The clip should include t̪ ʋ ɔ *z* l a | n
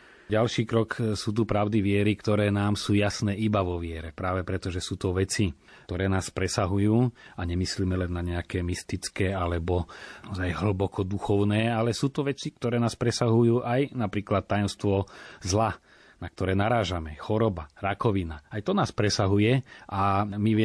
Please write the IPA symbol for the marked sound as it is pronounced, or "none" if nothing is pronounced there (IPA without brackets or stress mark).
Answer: z